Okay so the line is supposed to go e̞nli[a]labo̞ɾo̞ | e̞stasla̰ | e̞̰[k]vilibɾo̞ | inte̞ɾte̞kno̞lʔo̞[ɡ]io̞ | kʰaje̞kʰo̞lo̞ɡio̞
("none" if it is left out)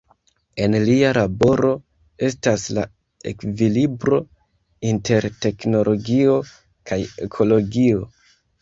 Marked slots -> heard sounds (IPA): a, k, ɡ

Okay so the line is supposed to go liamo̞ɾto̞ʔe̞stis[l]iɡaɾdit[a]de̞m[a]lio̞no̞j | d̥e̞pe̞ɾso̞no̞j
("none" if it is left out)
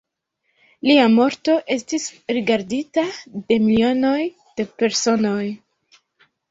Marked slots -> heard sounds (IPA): ɾ, a, i

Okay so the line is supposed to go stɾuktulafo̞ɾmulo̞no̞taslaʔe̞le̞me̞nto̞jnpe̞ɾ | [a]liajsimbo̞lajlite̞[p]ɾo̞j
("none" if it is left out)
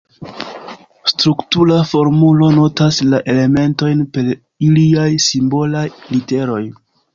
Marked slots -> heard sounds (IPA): i, none

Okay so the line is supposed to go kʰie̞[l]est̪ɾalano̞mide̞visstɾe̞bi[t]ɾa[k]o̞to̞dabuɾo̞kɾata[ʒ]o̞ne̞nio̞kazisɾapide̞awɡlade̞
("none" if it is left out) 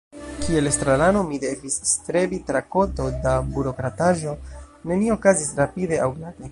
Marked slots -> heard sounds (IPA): l, t, k, ʒ

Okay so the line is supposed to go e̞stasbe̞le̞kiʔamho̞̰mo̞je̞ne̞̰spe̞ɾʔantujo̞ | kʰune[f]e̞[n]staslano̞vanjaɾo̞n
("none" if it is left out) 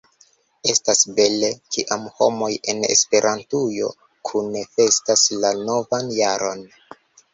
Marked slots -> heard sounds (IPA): f, none

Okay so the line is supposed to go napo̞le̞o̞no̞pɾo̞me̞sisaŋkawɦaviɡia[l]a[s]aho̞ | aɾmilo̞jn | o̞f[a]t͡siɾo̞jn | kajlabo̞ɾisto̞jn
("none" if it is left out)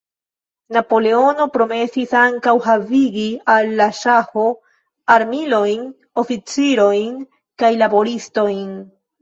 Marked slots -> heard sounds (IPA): lː, ʃ, i

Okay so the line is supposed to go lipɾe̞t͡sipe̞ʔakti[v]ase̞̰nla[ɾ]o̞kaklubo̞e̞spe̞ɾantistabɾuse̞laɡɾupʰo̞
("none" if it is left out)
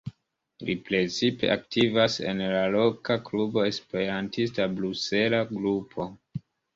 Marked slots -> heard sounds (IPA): v, l

